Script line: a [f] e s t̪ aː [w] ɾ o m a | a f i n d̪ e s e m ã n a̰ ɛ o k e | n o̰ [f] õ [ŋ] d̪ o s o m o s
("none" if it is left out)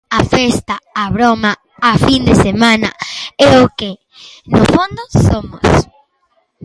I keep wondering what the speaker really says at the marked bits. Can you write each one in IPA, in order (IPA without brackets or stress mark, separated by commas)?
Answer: f, β, f, n